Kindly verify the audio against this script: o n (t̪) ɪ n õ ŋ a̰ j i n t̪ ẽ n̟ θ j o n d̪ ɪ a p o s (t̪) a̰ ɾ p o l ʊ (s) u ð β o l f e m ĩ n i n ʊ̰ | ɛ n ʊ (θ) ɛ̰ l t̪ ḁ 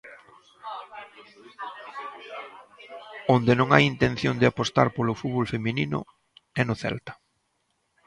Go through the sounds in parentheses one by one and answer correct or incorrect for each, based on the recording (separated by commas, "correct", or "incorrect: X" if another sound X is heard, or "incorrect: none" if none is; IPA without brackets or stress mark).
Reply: incorrect: d̪, correct, incorrect: f, correct